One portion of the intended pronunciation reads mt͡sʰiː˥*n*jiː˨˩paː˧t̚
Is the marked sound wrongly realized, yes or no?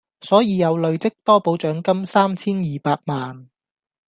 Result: no